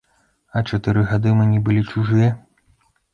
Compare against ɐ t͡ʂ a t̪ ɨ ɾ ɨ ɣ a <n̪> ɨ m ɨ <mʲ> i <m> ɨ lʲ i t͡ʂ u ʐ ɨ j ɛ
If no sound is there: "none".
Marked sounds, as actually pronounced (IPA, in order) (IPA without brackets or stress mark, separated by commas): d̪, nʲ, b